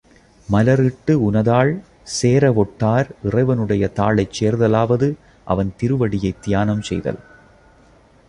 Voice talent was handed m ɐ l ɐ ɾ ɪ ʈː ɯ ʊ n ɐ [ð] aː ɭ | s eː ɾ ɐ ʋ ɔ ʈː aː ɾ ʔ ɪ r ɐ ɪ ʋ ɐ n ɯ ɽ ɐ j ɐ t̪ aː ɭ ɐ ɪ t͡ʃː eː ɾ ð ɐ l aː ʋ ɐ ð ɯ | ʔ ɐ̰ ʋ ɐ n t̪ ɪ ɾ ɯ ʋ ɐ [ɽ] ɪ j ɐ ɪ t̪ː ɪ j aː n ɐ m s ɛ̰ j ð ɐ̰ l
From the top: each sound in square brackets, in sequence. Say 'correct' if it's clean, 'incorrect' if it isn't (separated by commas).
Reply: correct, correct